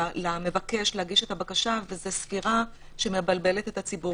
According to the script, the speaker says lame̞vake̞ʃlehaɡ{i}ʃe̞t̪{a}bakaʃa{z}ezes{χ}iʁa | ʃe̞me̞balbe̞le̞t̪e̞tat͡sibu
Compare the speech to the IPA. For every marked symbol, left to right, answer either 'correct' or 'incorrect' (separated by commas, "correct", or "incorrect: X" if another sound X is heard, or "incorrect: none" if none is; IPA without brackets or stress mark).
correct, correct, incorrect: v, incorrect: f